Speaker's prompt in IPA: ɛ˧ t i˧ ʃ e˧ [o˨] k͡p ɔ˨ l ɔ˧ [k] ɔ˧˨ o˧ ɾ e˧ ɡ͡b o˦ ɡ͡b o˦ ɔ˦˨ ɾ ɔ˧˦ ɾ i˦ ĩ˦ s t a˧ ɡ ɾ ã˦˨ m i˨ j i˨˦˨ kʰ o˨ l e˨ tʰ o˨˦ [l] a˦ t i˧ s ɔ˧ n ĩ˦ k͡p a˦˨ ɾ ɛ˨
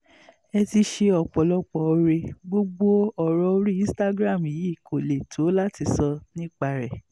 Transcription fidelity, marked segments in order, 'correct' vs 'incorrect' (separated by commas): incorrect, incorrect, correct